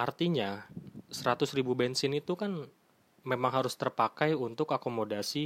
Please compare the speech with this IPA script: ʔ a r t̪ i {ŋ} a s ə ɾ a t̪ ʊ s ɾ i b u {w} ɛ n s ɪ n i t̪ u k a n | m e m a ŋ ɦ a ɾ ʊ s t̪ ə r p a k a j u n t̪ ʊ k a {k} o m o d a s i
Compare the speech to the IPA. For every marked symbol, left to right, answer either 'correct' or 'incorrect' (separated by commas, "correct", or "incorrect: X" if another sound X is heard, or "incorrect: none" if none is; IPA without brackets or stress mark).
incorrect: ɲ, incorrect: b, correct